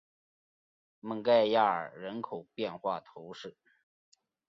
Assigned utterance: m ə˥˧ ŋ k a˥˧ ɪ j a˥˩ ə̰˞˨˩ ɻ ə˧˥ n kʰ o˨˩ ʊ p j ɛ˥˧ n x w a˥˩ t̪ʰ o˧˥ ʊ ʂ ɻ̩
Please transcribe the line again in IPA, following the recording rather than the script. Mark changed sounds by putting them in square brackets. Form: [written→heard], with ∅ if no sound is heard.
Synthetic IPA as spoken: m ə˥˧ ŋ k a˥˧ ɪ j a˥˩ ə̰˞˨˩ ɻ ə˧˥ n kʰ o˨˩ ʊ p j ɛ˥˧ n x w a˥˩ t̪ʰ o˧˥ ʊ ʂ ɻ̩